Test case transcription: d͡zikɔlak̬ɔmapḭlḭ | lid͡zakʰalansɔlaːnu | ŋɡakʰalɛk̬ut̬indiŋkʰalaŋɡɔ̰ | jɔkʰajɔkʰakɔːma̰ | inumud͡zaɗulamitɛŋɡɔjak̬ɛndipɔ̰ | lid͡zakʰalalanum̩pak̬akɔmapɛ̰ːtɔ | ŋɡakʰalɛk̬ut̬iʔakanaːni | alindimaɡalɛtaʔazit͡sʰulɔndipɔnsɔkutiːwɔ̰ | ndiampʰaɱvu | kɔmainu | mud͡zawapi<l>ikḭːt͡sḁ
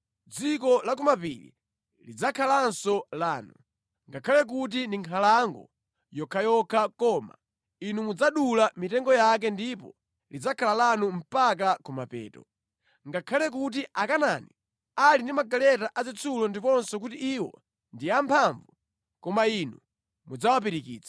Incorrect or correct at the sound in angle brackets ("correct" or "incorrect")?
incorrect